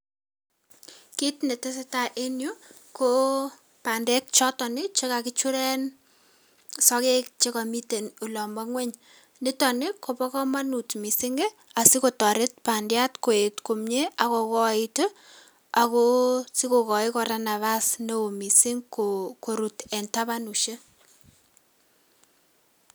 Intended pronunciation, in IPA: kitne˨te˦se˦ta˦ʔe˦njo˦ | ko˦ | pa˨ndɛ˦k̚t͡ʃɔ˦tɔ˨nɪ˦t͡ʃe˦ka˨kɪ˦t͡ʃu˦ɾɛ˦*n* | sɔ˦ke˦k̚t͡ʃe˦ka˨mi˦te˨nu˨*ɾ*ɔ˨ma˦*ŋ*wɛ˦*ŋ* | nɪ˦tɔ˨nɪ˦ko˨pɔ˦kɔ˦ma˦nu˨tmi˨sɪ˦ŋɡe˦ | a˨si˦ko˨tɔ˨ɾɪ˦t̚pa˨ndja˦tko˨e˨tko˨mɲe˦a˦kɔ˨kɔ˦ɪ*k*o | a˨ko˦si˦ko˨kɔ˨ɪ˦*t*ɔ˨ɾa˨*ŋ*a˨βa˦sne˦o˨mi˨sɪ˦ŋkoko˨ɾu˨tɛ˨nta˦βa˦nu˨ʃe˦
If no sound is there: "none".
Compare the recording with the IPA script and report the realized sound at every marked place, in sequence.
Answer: n, l, ŋ, ɲ, t, k, n

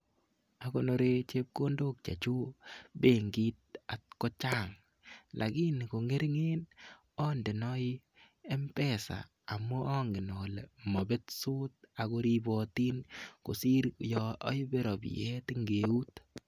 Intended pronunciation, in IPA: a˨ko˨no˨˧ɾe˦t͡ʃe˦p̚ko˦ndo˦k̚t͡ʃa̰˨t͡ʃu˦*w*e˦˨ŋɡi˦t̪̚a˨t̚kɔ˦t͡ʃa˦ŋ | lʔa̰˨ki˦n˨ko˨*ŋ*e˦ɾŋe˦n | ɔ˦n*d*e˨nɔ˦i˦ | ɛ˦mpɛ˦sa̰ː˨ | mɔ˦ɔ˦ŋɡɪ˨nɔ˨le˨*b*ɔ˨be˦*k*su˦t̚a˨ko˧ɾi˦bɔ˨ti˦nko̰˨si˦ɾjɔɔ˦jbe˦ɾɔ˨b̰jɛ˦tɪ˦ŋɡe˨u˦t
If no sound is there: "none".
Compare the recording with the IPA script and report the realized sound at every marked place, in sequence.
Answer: b, ŋ, d, m, t

